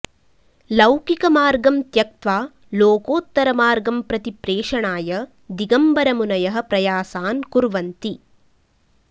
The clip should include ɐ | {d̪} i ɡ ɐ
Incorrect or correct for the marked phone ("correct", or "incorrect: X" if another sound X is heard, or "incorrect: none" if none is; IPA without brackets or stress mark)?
correct